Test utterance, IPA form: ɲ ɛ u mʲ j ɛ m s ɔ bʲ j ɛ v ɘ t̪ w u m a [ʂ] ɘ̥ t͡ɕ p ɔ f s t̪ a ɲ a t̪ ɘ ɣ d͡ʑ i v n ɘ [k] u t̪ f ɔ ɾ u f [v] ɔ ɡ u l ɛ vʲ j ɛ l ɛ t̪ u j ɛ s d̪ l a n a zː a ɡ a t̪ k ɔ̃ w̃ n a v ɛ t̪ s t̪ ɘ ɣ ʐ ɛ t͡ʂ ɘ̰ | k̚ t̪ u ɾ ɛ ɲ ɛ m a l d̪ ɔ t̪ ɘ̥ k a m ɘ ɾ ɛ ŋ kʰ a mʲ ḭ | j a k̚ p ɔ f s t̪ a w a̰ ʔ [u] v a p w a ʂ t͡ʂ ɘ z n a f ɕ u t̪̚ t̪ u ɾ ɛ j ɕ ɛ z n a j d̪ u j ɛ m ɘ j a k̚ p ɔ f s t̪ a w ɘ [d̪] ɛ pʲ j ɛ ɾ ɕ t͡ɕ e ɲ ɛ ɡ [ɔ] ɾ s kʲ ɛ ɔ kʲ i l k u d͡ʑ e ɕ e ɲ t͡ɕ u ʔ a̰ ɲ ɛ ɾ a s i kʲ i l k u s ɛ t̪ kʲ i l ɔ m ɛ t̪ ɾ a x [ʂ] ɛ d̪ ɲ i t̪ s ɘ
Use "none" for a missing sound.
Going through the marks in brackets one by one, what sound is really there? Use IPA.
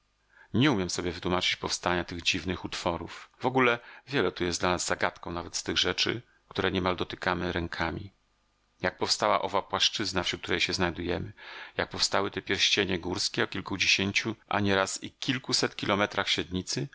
t͡ʂ, x, v, ɔ, t̪, u, ɕ

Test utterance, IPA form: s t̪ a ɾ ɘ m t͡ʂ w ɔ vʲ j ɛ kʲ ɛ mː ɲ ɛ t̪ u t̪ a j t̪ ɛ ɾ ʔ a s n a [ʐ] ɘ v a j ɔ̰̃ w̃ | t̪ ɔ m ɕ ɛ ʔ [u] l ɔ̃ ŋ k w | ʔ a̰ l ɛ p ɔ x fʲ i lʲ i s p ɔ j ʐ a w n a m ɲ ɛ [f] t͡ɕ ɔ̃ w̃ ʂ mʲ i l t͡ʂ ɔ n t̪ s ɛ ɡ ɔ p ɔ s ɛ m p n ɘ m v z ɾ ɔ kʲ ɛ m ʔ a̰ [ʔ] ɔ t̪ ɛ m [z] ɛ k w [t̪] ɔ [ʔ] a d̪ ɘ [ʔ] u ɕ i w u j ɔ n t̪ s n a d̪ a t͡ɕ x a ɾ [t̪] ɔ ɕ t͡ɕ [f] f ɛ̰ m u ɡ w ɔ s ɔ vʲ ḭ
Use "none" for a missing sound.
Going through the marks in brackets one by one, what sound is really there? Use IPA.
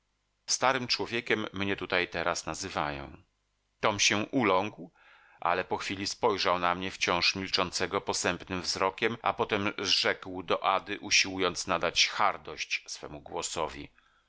z, u, f, p, ʐ, d̪, ʔ, ʔ, d̪, s

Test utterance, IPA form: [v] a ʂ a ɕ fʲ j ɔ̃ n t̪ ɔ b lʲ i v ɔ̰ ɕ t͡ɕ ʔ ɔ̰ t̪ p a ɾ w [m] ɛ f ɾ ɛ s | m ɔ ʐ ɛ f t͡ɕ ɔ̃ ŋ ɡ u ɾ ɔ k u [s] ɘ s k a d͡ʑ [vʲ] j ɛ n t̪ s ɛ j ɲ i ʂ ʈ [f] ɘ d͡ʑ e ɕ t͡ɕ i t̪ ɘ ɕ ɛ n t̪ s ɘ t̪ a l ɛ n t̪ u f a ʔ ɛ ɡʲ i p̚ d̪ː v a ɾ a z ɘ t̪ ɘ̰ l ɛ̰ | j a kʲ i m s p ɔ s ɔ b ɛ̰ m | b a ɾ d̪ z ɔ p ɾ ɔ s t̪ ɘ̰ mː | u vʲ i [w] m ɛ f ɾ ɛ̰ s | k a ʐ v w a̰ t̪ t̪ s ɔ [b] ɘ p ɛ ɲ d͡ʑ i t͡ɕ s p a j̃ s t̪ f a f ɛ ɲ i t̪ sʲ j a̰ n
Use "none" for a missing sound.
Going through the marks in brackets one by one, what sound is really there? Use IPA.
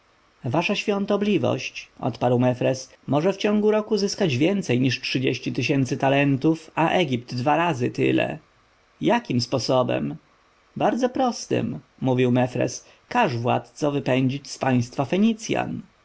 v, m, z, vʲ, ʂ, w, v

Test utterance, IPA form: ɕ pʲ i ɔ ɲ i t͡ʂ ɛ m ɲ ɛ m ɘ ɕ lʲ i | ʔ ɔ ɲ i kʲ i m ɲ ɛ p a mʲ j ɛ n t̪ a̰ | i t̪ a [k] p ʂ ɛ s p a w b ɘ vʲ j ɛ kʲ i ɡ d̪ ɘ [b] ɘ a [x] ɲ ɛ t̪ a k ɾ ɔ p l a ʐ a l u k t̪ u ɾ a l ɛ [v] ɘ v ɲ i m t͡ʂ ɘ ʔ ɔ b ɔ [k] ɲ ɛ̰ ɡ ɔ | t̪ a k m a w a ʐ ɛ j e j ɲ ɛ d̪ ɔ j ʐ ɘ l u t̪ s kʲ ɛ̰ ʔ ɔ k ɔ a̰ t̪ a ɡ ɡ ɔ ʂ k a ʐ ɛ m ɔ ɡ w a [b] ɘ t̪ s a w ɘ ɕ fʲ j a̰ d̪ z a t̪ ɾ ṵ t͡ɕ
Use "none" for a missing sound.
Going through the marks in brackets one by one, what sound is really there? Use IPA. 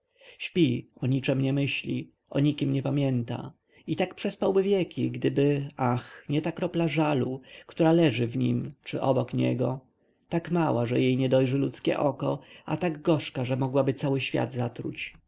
k, b, x, ʐ, k, b

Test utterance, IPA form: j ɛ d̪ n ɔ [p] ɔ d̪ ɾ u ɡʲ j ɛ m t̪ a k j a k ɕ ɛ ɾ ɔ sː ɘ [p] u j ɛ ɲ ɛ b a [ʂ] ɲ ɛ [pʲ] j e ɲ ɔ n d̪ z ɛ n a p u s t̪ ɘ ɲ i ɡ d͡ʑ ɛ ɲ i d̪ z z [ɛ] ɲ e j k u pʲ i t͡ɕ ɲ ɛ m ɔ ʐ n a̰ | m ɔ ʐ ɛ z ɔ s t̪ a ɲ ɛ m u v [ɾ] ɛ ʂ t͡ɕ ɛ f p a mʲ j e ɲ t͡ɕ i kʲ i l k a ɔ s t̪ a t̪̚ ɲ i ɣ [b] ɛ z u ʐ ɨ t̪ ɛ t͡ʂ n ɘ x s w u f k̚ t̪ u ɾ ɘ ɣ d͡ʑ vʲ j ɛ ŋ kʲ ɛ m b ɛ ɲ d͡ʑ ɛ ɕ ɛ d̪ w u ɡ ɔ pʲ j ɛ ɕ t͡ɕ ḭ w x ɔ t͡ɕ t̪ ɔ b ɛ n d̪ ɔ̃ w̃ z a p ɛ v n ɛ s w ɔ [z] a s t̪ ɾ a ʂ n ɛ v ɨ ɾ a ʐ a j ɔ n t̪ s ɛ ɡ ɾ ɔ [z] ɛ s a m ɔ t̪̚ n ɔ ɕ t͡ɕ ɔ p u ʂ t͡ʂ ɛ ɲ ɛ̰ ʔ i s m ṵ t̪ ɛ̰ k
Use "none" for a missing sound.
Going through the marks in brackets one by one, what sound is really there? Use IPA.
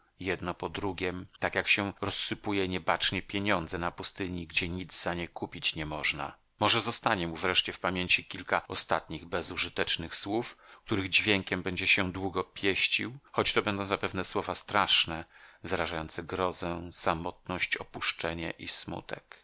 p, p, t͡ʂ, pʲ, a, ɾ, b, v, z

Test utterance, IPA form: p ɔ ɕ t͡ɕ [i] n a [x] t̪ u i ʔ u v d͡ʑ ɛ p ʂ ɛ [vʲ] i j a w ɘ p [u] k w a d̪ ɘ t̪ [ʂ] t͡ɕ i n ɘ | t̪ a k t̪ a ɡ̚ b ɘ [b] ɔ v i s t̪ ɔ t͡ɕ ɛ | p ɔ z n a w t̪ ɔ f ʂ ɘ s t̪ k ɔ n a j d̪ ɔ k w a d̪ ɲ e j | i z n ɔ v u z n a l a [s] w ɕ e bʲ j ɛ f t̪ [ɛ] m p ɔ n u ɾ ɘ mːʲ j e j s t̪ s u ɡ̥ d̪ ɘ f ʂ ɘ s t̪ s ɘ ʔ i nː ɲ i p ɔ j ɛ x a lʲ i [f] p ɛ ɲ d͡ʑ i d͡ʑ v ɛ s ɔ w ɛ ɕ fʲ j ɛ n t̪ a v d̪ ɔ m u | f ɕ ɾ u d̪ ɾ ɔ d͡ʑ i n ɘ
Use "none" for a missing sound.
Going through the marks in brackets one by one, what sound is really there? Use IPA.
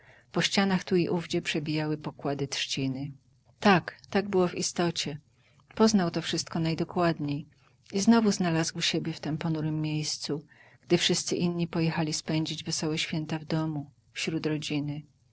a, x, bʲ, ɔ, ʂ, w, z, ɛ, s

